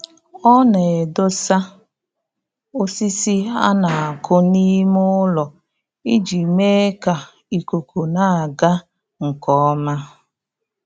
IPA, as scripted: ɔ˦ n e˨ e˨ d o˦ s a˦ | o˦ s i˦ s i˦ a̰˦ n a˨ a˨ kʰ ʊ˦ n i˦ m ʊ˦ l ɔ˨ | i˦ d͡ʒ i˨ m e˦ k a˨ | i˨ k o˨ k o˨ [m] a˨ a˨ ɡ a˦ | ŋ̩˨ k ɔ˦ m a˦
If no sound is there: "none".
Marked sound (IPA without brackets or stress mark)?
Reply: n